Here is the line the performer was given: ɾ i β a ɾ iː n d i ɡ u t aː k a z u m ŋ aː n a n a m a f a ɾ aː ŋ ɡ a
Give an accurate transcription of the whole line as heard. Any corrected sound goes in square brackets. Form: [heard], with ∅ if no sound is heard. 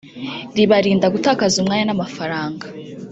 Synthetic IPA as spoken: ɾ i β a ɾ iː n d [a] ɡ u t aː k a z u m ŋ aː [ɲ] a n a m a f a ɾ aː ŋ ɡ a